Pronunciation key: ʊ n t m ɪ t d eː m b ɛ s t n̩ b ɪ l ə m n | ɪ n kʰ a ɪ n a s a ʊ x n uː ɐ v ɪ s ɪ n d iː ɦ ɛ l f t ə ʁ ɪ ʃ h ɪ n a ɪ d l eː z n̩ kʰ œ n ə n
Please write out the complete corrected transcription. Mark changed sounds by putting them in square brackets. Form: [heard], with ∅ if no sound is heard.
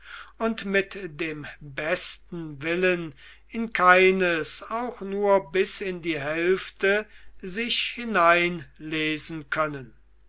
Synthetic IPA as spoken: ʊ n t m ɪ t d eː m b ɛ s t n̩ [v] ɪ l ə [∅] n | ɪ n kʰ a ɪ n [ə] s a ʊ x n uː ɐ [b] ɪ s ɪ n d iː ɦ ɛ l f t ə [z] ɪ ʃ h ɪ n a ɪ [n] l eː z n̩ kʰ œ n ə n